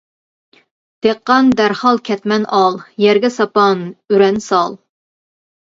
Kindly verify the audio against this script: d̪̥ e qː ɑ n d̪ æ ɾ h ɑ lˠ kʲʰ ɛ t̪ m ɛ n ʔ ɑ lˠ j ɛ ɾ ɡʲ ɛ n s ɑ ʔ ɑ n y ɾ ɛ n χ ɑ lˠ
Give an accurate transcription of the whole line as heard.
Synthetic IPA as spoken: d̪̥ e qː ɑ n d̪ æ ɾ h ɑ lˠ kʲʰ ɛ t̪ m ɛ n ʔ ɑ lˠ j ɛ ɾ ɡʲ ɛ s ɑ p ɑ n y ɾ ɛ n s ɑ lˠ